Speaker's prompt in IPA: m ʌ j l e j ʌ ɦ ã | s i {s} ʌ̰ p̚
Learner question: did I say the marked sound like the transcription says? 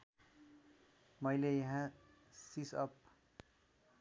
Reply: yes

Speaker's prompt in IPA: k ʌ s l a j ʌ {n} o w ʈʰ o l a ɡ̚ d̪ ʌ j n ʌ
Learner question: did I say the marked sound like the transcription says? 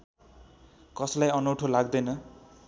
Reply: yes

